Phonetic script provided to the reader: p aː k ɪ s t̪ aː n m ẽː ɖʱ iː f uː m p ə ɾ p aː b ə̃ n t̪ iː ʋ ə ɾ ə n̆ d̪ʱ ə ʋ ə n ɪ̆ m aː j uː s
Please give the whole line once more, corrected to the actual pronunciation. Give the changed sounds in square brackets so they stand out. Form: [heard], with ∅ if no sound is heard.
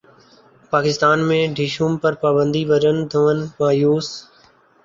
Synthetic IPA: p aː k ɪ s t̪ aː n m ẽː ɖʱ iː [ʃ] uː m p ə ɾ p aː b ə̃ n [d̪] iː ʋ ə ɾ ə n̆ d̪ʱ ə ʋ ə n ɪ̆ m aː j uː s